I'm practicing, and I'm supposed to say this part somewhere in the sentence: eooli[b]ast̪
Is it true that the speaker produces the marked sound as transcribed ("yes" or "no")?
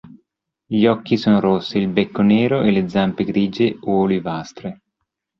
no